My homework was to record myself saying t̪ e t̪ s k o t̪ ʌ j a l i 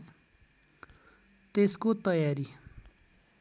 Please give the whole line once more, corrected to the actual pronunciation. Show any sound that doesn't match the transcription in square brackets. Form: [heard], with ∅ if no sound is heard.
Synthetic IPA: t̪ e [∅] s k o t̪ ʌ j a [ɾ] i

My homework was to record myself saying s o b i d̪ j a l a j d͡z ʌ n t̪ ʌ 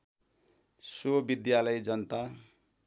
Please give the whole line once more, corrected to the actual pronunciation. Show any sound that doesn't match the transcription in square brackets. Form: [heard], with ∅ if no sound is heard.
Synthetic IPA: s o b i d̪ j a l [ʌ] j d͡z ʌ n t̪ [a]

